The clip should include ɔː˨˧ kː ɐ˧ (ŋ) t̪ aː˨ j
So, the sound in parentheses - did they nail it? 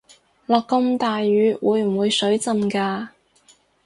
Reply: no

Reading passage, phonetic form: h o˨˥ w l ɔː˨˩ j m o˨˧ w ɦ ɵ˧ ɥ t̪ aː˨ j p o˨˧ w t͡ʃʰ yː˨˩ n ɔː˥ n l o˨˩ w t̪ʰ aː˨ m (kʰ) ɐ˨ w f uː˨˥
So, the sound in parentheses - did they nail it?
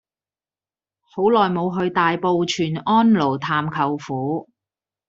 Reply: yes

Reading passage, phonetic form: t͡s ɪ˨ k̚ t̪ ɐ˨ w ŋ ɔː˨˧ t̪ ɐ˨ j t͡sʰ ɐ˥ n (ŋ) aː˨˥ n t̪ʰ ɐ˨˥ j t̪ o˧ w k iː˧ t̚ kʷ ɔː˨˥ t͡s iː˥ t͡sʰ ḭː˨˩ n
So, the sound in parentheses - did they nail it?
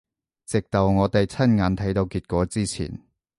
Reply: yes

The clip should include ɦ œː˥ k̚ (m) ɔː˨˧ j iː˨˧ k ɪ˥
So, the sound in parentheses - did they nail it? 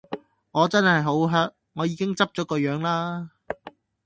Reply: no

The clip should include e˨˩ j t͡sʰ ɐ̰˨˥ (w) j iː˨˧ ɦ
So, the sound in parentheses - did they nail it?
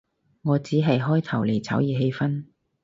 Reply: yes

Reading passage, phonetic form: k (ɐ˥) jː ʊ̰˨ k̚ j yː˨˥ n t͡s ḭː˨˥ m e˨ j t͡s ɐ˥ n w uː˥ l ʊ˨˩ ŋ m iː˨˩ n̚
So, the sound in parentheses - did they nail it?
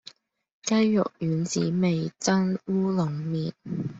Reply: yes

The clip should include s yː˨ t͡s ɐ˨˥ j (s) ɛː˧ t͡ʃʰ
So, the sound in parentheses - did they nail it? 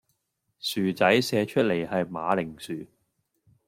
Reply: yes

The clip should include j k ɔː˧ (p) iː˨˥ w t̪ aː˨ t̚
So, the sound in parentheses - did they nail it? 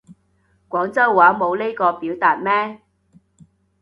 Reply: yes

